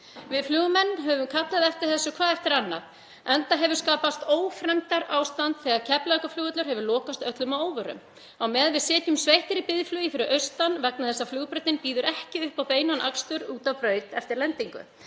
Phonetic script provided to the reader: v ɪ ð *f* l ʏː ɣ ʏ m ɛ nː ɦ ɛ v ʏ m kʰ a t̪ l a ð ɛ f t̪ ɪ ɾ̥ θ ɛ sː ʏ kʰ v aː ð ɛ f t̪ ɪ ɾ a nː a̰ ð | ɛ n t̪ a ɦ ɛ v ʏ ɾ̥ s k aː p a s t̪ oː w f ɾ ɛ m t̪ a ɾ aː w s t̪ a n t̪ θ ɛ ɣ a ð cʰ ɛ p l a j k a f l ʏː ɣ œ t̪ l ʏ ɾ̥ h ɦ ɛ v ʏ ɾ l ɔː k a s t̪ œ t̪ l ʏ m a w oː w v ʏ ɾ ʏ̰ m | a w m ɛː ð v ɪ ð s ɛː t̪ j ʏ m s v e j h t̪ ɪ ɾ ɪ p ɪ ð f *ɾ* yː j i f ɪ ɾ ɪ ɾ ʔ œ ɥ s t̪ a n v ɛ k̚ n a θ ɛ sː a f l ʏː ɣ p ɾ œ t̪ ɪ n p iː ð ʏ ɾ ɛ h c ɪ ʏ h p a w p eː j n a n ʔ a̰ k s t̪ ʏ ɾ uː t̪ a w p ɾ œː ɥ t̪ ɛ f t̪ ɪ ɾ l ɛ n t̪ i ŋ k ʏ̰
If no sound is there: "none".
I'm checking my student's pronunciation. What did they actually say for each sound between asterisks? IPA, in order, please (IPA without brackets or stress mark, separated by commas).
f, l